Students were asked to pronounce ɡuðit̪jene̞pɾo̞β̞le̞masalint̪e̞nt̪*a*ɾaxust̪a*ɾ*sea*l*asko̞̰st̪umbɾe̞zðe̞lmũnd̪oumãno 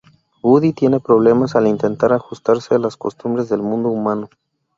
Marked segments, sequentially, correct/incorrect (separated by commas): correct, correct, correct